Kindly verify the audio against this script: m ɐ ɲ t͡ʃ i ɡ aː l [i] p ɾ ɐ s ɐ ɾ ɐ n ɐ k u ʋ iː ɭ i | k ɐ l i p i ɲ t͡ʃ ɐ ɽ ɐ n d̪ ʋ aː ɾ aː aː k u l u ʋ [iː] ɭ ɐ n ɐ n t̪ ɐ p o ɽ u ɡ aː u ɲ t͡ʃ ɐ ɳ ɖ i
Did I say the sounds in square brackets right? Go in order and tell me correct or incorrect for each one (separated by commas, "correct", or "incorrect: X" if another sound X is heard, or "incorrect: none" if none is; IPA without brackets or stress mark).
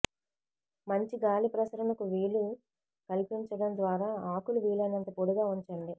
correct, correct